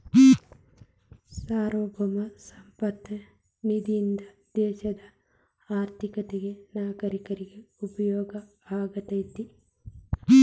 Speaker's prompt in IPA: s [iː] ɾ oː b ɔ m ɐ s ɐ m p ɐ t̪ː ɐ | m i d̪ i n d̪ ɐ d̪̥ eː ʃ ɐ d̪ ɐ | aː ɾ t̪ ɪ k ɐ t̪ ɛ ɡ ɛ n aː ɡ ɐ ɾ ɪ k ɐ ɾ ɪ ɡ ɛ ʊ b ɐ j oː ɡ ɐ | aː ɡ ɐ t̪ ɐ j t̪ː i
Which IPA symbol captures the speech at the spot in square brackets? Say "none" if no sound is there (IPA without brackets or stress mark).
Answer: aː